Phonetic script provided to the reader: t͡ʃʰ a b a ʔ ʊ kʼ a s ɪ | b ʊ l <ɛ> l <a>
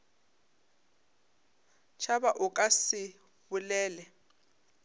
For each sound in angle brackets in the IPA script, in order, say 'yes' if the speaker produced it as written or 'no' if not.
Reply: no, no

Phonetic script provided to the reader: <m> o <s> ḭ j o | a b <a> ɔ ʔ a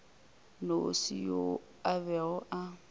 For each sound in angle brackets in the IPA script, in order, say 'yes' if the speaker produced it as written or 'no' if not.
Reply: no, yes, no

